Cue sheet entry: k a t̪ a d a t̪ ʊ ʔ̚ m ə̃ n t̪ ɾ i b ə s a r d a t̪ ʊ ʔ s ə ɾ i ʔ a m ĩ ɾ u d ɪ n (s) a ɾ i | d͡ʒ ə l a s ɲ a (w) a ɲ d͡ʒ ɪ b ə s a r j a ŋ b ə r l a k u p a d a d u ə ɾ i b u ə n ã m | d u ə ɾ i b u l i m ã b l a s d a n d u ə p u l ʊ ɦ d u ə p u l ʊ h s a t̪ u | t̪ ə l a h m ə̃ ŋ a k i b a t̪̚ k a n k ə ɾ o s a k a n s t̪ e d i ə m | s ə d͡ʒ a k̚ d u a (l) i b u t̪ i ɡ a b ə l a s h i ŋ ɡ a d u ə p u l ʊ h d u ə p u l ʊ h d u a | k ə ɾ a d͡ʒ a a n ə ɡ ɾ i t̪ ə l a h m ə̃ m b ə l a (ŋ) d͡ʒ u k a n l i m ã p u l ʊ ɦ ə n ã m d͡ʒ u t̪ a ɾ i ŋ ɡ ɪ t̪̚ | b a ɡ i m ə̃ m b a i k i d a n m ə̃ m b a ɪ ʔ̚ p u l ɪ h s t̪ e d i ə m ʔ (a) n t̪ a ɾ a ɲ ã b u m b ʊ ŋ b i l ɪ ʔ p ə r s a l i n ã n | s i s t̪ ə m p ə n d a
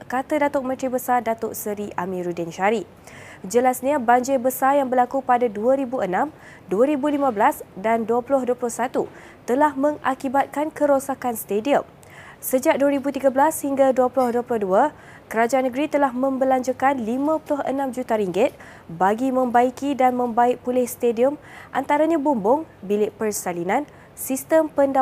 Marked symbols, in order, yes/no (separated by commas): no, no, no, no, yes